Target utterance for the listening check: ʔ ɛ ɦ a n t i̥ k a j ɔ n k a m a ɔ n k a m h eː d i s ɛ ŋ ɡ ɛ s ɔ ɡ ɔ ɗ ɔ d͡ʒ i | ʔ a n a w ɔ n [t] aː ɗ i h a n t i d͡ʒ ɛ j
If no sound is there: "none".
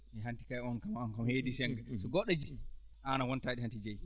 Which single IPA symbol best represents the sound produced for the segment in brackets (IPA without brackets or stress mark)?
t